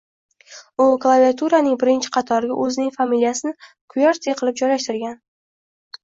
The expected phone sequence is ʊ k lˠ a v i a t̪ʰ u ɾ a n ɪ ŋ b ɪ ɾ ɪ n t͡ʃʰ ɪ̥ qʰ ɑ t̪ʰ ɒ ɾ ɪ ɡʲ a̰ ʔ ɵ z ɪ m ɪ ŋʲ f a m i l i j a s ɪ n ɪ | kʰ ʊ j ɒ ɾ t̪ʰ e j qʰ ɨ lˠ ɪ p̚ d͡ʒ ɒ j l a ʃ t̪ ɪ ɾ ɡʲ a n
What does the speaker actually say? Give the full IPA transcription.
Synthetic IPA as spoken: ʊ k lˠ a v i a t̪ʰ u ɾ a n ɪ ŋ b ɪ ɾ ɪ n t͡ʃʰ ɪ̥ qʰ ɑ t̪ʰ ɒ ɾ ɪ ɡʲ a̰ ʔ ɵ z ɪ n ɪ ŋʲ f a m i l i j a s ɪ n ɪ | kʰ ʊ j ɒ ɾ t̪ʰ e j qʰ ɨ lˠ ɪ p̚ d͡ʒ ɒ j l a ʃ t̪ ɪ ɾ ɡʲ a n